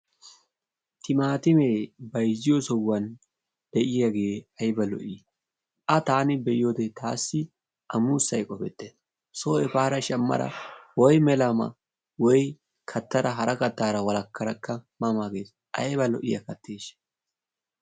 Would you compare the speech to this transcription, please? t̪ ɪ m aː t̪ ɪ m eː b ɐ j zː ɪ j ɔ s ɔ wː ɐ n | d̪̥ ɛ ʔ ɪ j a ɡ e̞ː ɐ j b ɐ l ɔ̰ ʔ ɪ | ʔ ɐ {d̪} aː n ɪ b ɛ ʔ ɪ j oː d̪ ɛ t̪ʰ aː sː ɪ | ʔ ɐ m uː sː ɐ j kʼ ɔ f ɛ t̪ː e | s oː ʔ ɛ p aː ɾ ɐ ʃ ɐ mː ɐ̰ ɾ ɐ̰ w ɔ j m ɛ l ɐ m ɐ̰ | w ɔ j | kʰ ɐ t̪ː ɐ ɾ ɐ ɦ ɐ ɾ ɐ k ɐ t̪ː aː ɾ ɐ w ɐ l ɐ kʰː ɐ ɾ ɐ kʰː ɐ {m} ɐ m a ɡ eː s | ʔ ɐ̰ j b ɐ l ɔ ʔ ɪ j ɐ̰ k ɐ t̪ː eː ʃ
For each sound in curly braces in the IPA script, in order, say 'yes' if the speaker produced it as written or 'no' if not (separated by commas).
no, yes